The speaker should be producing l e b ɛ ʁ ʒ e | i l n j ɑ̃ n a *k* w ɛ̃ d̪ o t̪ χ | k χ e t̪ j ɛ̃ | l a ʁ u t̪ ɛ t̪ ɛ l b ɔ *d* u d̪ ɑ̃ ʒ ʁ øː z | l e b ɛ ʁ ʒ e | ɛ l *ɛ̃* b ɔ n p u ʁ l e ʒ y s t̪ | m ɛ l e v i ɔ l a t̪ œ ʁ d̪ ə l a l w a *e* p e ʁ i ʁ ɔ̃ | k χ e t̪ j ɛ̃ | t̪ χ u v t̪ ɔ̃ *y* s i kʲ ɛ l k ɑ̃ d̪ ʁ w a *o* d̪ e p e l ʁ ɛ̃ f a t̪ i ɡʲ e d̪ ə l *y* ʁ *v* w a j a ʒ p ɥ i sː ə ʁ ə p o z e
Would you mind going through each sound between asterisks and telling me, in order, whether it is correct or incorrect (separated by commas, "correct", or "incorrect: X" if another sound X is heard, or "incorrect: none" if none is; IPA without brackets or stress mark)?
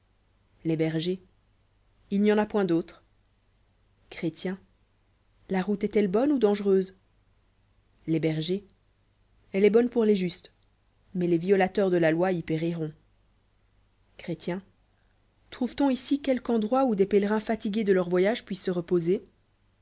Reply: incorrect: p, incorrect: n, incorrect: ɛ, incorrect: i, incorrect: i, incorrect: u, incorrect: œ, correct